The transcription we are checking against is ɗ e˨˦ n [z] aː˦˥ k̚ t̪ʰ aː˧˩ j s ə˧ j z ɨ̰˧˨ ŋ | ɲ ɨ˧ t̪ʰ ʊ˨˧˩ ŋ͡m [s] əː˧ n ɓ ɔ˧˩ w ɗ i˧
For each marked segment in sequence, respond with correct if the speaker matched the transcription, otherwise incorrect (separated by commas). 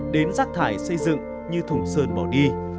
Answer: correct, correct